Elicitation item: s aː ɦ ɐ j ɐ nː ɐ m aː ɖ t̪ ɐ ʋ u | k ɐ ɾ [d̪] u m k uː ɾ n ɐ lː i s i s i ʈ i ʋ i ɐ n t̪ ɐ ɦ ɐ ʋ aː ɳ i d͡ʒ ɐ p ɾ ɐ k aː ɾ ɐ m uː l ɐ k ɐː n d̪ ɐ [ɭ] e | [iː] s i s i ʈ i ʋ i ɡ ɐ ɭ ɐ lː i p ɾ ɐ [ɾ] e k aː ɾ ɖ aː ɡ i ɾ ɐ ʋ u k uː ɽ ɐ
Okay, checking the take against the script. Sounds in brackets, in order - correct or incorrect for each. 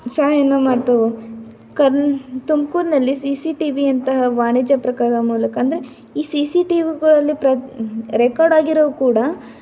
incorrect: t̪, incorrect: ɾ, correct, correct

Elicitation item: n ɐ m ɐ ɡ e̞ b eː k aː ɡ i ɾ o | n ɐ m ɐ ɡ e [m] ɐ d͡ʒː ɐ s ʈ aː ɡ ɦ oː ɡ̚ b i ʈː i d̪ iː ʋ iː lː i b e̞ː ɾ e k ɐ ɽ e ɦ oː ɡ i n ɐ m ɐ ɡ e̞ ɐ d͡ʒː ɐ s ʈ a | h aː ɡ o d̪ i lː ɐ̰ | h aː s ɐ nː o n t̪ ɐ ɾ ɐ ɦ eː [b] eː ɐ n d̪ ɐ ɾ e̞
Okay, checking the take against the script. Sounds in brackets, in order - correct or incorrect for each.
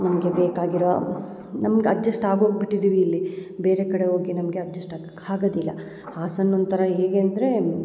incorrect: none, incorrect: ɡ

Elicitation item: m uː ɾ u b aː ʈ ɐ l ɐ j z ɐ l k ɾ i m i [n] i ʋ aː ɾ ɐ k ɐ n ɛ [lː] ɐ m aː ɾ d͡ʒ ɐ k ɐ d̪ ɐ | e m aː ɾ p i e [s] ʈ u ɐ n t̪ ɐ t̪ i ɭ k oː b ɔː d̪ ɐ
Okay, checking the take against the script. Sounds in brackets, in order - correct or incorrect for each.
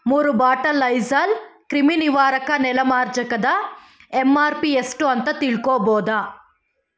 correct, incorrect: l, correct

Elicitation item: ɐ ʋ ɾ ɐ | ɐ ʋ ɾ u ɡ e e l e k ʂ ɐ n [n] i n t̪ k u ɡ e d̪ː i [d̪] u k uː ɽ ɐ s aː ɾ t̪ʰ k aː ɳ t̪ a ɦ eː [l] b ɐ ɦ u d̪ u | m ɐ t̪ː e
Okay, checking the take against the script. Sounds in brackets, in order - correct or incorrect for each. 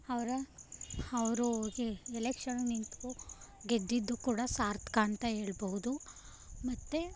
correct, incorrect: d̪ː, incorrect: ɭ

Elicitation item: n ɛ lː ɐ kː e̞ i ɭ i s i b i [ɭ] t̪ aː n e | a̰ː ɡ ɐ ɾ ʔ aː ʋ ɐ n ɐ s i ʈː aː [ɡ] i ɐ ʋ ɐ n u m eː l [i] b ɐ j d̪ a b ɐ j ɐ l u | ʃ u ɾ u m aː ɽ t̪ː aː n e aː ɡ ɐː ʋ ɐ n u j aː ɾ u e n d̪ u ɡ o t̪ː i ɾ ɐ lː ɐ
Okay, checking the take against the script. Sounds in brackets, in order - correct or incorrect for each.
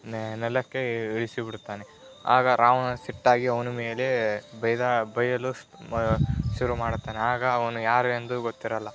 incorrect: ɽ, correct, incorrect: e

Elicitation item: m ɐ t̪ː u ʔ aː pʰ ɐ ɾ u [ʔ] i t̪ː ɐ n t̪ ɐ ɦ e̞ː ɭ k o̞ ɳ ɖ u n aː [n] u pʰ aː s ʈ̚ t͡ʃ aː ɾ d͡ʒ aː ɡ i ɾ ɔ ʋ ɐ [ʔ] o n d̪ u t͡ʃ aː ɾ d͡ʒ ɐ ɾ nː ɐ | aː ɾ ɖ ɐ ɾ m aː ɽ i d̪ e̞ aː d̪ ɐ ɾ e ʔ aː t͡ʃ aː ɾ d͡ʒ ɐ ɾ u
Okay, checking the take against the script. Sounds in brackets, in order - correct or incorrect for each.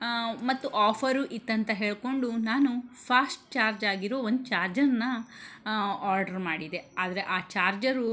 correct, correct, incorrect: none

